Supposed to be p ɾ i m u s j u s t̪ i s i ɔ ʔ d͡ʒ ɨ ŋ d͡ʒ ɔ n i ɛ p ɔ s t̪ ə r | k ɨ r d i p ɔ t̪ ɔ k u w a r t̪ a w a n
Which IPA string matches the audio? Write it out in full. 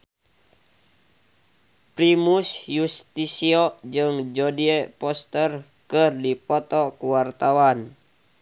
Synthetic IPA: p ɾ i m u s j u s t̪ i s i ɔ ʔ d͡ʒ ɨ ŋ d͡ʒ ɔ d i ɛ p ɔ s t̪ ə r | k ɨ r d i p ɔ t̪ ɔ k u w a r t̪ a w a n